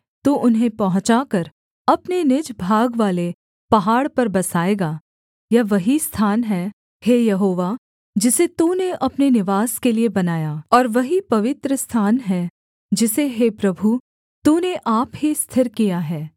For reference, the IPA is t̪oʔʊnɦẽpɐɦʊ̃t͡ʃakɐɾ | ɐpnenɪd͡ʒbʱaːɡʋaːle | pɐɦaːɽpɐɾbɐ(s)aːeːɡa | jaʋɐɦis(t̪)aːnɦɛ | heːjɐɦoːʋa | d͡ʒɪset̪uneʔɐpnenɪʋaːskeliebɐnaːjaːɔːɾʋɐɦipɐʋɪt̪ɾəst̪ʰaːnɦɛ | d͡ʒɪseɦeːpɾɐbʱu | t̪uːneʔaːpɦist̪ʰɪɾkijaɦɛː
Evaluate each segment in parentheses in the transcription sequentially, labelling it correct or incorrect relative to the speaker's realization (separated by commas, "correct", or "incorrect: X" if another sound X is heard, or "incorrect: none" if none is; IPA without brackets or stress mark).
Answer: correct, incorrect: t̪ʰ